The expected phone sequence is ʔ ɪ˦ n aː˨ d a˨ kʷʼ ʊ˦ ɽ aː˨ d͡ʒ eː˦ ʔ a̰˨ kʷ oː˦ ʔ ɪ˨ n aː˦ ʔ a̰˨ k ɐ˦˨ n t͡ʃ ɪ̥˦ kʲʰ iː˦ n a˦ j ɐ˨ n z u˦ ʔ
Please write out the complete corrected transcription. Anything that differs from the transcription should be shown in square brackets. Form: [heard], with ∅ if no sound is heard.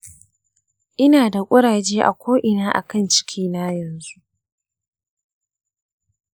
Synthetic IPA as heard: ʔ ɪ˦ n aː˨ d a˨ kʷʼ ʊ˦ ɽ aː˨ d͡ʒ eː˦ ʔ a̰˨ kʷ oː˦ ʔ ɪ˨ n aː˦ ʔ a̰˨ k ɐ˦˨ n t͡ʃ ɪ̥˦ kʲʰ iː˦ n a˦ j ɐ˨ n z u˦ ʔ